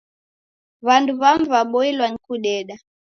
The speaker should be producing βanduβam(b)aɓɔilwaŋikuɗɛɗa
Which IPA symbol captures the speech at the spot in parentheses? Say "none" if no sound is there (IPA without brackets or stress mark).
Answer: v